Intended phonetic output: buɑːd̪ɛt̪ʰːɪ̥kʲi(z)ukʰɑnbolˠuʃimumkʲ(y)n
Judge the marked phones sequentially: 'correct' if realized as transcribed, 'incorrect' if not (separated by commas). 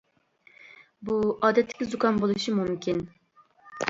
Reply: correct, incorrect